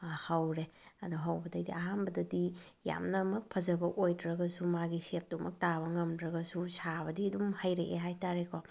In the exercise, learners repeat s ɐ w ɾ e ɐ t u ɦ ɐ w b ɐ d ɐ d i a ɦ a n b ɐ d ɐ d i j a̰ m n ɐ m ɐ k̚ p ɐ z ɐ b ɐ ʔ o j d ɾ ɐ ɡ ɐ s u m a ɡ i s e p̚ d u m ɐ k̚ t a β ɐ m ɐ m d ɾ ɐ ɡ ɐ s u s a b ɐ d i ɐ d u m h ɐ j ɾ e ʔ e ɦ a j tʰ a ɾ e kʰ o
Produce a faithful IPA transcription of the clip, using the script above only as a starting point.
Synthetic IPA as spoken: h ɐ w ɾ e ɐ d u ɦ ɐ w b ɐ d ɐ d i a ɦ a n b ɐ d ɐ d i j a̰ m n ɐ m ɐ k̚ pʰ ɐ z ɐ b ɐ ʔ o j d ɾ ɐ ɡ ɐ s u m a ɡ i s e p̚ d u m ɐ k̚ t a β ɐ ŋ ɐ m d ɾ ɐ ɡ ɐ s u s a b ɐ d i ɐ d u m h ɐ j ɾ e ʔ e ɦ a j t a ɾ e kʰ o